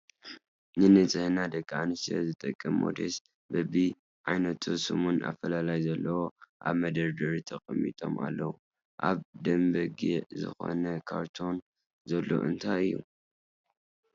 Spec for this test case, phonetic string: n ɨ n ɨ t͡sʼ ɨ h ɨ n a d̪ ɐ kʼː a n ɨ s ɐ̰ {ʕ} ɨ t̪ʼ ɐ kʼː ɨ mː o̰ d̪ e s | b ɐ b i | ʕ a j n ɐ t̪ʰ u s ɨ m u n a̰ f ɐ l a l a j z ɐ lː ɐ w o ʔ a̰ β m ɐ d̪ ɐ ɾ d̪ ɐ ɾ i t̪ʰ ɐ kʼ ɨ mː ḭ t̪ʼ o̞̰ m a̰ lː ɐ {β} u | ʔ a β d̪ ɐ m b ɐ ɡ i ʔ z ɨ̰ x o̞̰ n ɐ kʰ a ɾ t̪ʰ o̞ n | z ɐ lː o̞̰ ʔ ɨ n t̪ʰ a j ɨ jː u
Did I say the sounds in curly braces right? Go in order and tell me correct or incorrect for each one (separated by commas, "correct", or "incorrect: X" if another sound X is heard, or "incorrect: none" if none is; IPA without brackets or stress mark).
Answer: incorrect: z, incorrect: w